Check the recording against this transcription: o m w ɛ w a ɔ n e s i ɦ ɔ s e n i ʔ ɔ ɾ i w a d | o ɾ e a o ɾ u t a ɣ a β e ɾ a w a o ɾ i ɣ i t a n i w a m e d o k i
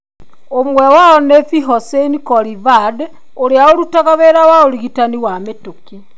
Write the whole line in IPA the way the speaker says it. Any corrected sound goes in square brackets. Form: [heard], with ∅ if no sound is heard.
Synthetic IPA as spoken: o m w ɛ w a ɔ n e [f] i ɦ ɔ s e n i [k] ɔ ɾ i [v] a d | o ɾ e a o ɾ u t a ɣ a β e ɾ a w a o ɾ i ɣ i t a n i w a m e [t] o k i